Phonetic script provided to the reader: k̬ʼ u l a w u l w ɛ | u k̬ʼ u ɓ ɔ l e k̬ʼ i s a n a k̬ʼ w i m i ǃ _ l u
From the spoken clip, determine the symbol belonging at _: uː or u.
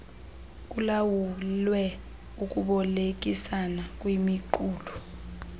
uː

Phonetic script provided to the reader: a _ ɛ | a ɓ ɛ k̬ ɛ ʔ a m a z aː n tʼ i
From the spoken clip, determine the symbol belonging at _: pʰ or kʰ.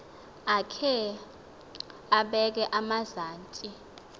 kʰ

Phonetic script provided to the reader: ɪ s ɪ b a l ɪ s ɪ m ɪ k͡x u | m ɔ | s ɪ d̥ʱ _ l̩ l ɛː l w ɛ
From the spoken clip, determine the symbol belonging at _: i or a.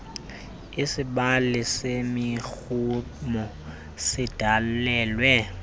a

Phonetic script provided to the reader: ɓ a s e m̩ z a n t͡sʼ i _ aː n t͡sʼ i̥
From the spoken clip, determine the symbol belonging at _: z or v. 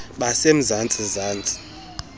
z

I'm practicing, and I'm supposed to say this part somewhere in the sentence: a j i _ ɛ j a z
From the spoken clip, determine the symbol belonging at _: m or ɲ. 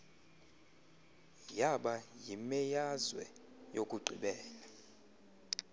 m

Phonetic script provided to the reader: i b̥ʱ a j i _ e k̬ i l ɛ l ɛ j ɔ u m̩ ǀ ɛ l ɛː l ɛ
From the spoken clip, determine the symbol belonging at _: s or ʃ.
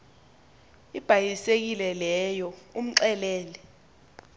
s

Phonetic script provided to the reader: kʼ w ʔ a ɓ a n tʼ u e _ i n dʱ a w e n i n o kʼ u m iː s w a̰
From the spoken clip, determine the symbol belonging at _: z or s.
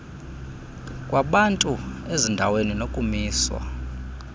z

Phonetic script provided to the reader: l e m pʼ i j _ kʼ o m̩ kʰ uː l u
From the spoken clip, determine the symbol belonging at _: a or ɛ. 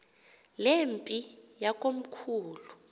a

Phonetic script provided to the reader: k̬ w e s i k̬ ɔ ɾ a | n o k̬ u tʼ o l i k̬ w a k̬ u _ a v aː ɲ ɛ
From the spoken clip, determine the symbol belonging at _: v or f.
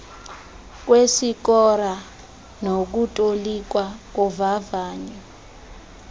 v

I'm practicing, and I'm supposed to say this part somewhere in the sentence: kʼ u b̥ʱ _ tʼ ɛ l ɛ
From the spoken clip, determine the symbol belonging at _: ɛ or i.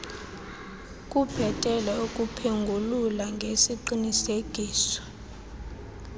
ɛ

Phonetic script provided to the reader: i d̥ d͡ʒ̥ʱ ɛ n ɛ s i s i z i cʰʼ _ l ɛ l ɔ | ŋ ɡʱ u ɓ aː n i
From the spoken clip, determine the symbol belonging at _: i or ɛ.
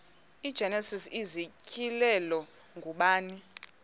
i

